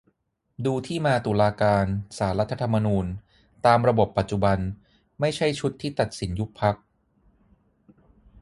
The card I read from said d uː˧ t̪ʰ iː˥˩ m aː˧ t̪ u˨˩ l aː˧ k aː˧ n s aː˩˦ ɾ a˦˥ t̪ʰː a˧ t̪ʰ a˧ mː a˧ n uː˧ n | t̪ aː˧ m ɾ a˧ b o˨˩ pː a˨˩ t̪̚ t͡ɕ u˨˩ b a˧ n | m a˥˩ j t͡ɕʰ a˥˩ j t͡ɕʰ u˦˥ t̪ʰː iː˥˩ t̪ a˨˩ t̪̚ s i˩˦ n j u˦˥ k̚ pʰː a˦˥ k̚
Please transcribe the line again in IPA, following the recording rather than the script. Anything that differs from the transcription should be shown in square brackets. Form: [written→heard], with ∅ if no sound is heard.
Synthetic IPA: d uː˧ t̪ʰ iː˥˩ m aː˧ t̪ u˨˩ l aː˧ k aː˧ n s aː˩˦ ɾ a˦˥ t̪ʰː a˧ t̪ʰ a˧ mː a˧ n uː˧ n | t̪ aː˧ m ɾ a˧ b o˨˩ pː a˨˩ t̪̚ t͡ɕ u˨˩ b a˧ n | m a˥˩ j t͡ɕʰ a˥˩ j t͡ɕʰ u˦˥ t̪ʰː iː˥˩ t̪ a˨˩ t̪̚ s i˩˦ n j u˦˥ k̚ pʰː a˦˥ k̚